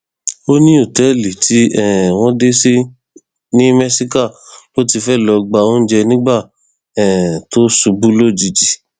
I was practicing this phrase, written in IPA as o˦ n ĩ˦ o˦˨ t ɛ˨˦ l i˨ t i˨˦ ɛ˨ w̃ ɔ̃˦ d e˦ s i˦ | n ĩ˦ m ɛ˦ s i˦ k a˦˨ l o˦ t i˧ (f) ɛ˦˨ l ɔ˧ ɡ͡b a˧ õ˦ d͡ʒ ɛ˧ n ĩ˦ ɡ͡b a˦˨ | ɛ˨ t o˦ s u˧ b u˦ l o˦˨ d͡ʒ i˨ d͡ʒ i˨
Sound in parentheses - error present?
no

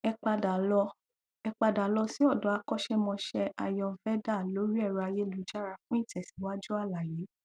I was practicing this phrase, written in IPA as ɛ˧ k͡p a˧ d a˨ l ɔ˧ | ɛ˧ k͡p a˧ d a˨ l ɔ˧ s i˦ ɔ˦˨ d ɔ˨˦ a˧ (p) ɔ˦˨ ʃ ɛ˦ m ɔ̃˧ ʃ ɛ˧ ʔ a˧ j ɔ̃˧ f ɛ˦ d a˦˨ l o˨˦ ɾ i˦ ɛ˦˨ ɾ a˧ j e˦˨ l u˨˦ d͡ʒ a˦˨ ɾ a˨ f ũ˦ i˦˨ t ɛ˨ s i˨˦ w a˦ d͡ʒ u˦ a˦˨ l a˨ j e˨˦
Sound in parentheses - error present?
yes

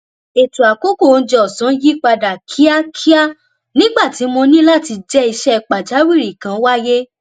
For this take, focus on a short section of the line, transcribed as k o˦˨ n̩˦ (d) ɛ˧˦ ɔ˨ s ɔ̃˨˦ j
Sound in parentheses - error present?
yes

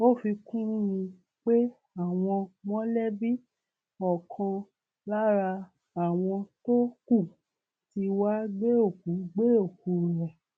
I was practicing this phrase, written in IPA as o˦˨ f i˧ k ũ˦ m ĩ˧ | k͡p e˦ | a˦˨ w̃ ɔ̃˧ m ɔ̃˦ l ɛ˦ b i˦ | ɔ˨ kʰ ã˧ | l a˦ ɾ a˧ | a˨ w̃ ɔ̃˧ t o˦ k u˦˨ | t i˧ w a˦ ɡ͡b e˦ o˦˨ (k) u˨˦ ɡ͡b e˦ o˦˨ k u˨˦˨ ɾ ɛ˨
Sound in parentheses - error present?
no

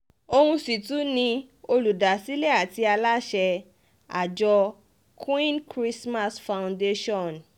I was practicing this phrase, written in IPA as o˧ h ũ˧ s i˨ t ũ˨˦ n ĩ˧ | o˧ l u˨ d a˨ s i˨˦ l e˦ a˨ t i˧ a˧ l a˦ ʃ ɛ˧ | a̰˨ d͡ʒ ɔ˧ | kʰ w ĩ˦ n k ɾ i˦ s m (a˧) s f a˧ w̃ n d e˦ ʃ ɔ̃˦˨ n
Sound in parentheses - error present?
no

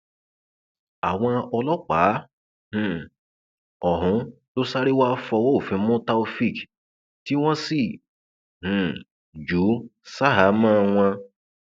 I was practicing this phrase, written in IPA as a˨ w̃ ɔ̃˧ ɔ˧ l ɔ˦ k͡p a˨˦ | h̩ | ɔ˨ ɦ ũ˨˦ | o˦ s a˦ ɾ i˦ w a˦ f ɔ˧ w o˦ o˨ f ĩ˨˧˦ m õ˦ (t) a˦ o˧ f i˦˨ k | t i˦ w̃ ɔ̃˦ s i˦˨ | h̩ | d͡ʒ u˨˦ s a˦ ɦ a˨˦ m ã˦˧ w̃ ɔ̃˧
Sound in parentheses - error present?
no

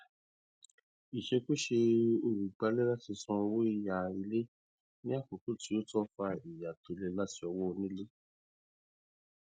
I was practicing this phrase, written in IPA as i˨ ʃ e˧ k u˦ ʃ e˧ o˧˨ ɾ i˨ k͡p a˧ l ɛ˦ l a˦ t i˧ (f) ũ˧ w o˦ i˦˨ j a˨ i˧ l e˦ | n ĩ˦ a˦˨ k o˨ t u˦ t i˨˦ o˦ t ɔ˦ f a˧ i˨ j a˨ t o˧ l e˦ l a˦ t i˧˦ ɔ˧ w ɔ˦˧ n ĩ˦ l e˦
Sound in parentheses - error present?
yes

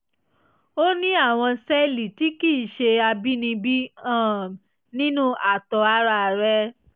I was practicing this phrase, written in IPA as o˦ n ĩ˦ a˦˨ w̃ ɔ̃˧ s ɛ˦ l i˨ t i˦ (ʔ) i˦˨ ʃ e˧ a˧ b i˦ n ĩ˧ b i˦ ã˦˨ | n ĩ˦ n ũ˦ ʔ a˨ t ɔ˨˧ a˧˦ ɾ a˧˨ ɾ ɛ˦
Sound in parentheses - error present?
yes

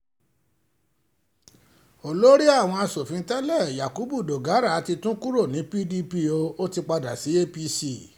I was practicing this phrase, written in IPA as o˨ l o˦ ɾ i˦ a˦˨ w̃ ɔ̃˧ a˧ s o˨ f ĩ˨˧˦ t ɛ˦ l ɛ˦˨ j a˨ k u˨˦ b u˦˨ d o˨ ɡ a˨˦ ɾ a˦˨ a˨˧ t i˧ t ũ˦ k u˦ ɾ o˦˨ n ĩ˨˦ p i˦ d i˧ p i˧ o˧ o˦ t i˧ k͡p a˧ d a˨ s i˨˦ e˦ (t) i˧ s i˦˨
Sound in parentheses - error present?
yes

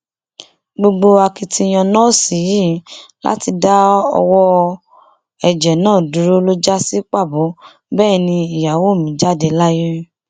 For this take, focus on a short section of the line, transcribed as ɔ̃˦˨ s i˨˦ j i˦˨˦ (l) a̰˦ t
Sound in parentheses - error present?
no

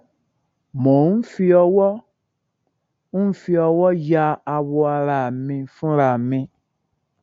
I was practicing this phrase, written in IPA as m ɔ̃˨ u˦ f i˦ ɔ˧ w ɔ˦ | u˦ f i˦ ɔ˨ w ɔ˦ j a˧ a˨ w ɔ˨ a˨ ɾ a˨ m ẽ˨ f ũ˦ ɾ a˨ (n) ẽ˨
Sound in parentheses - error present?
yes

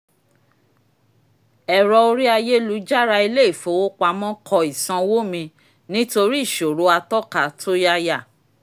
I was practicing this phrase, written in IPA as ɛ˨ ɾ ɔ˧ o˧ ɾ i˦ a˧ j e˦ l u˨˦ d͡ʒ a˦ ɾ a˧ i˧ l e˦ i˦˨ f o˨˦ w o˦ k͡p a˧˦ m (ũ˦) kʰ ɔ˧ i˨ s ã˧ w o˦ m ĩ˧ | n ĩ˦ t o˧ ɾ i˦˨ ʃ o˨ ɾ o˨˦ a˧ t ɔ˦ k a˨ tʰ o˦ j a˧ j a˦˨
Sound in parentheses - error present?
yes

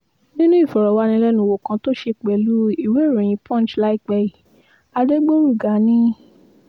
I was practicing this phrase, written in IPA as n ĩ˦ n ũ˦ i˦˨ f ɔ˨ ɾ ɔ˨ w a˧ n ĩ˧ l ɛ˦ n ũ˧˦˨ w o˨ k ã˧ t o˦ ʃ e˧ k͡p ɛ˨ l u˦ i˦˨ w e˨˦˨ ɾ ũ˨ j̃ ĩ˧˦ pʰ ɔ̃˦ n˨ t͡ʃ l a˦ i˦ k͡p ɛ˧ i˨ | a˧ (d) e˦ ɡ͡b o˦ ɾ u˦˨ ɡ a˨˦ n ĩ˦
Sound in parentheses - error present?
no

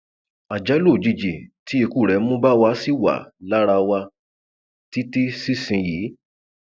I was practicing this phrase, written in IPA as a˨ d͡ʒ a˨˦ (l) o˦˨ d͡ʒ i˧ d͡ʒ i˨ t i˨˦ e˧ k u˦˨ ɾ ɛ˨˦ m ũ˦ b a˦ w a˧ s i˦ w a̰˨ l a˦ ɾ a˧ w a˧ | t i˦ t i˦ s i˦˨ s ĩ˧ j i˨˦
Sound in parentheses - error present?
no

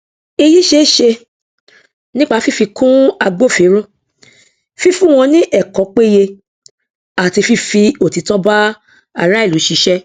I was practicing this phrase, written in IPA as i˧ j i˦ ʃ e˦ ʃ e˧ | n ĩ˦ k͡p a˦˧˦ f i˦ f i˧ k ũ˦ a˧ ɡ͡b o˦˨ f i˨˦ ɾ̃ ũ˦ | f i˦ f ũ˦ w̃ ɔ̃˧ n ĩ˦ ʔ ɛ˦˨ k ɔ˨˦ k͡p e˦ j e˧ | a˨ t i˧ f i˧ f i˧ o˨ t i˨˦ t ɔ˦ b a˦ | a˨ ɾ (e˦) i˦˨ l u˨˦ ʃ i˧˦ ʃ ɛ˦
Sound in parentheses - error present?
yes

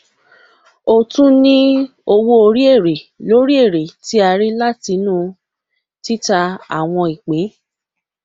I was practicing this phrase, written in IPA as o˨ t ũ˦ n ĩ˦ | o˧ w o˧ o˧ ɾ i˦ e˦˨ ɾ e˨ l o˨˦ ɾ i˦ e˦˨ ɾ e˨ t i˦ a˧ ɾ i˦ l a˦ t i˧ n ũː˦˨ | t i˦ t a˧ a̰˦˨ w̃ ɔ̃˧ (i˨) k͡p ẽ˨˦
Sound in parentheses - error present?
no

